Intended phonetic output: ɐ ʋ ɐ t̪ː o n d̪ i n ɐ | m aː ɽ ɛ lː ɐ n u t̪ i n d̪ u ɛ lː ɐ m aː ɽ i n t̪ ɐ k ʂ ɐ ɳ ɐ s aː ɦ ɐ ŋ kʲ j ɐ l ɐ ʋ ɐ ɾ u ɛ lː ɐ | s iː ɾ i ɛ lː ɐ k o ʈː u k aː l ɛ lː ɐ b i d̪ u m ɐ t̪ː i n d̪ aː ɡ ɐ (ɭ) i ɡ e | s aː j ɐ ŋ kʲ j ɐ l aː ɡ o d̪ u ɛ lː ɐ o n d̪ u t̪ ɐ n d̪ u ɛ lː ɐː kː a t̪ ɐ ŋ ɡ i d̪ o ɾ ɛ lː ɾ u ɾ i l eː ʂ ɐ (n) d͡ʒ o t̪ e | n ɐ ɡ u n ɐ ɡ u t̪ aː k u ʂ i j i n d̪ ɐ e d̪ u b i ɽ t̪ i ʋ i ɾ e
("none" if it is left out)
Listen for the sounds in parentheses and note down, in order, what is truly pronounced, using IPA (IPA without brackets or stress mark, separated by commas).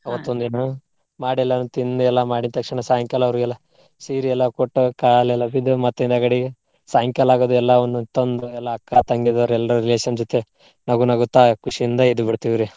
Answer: ɽ, n